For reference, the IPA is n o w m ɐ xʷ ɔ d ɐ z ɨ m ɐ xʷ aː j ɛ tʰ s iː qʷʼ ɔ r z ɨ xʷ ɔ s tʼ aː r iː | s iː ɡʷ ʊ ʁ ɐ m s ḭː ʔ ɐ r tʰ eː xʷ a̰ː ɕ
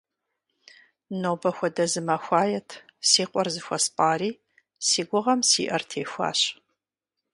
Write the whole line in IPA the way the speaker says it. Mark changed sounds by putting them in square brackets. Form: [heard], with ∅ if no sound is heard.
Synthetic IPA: n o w [b] ɐ xʷ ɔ d ɐ z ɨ m ɐ xʷ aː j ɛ tʰ s iː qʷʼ ɔ r z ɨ xʷ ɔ s [pʼ] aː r iː | s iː ɡʷ ʊ ʁ ɐ m s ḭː ʔ ɐ r tʰ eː xʷ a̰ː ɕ